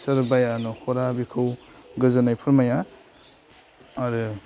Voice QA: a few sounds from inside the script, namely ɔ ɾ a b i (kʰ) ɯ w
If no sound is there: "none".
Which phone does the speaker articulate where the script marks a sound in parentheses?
kʰ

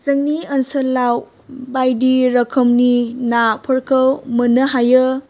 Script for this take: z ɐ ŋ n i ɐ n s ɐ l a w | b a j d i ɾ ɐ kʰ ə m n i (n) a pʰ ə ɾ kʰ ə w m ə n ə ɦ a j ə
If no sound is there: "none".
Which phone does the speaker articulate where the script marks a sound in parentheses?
n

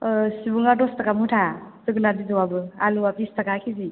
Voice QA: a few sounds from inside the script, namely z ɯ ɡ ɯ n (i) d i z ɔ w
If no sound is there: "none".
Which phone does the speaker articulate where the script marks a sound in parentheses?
a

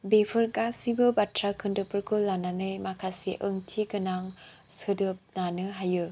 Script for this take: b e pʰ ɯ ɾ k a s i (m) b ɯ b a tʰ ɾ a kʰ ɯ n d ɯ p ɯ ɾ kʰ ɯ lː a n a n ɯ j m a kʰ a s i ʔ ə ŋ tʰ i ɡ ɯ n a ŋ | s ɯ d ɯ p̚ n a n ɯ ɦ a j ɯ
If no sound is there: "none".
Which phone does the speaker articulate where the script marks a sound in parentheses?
none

